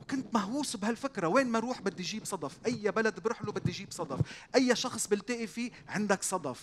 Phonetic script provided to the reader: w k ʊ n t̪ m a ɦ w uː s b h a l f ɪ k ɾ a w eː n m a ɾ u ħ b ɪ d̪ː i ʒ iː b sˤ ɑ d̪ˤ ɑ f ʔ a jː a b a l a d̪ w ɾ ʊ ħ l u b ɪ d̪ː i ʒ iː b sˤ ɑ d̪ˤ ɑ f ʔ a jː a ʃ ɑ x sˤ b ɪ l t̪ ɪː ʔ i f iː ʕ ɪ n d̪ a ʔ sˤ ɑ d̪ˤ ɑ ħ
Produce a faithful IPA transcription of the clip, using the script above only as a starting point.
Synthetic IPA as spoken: w k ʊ n t̪ m a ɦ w uː s b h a l f ɪ k ɾ a w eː n m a ɾ uː ħ b ɪ d̪ː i ʒ iː b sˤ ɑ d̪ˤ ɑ f ʔ a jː a b a l a d̪ b ɾ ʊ ħ l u b ɪ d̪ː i ʒ iː b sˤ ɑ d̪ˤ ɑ f ʔ a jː a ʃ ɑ x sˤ b ɪ l t̪ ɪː ʔ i f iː ʕ ɪ n d̪ a k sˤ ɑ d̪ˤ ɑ f